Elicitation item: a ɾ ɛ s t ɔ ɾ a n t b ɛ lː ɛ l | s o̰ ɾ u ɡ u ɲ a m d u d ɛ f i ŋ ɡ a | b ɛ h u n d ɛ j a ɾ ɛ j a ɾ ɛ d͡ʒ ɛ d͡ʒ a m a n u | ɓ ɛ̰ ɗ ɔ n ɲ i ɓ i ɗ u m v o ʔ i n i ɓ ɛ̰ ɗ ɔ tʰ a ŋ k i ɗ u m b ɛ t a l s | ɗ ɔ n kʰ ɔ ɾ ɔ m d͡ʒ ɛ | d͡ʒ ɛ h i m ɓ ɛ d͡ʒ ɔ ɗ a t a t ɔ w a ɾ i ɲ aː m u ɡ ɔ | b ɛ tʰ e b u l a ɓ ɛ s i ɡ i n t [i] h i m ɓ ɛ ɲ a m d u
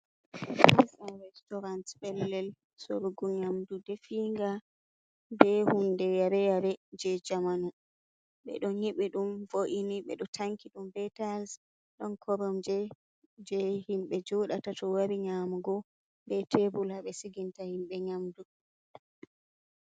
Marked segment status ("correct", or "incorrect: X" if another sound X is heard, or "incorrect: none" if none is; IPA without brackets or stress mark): incorrect: a